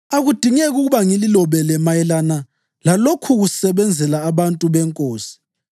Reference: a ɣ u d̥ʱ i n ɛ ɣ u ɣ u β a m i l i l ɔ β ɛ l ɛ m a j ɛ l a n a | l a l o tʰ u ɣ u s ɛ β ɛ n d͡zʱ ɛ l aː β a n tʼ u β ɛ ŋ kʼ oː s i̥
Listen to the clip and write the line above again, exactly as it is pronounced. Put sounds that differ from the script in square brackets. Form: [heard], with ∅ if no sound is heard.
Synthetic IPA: a ɣ u d̥ʱ i [ŋ] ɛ ɣ u ɣ u β a [ŋ] i l i l ɔ β ɛ l ɛ m a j ɛ l a n a | l a l o [kʰ] u ɣ u s ɛ β ɛ n d͡zʱ ɛ l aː β a n tʼ u β ɛ ŋ kʼ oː s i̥